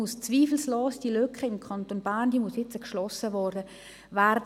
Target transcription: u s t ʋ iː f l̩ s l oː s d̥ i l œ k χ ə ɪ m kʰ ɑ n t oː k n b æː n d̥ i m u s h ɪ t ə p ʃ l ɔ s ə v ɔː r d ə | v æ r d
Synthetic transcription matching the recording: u s t͡s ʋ iː f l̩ s l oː s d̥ i l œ k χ ə ɪ m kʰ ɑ n t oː n b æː n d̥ i m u s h ɪ t͡s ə k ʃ l ɔ s ə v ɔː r d ə | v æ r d